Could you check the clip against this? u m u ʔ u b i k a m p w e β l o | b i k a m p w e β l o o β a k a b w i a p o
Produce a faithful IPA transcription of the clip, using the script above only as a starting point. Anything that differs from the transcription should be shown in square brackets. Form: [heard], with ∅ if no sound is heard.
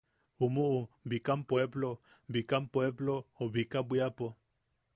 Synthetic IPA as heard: u m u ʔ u b i k a m p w e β l o | b i k a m p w e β l o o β [i] k a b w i a p o